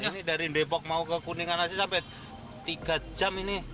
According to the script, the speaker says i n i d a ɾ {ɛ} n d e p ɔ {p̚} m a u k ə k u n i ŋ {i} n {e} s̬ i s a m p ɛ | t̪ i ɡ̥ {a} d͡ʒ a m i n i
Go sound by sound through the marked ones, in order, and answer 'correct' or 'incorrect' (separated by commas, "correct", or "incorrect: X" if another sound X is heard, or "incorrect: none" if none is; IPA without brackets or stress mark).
incorrect: i, incorrect: k̚, incorrect: a, incorrect: a, correct